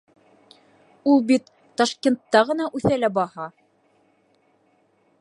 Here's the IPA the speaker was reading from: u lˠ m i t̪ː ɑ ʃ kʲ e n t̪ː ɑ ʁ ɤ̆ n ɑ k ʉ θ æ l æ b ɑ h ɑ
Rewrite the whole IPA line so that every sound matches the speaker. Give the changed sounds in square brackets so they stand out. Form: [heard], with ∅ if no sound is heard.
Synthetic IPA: u lˠ [b] i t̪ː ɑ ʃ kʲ e n t̪ː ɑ ʁ ɤ̆ n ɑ [ʔ] ʉ θ æ l æ b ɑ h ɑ